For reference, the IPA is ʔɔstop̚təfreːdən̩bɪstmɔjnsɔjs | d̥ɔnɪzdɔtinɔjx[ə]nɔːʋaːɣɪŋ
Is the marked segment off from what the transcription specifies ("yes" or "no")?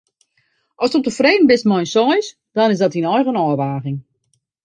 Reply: no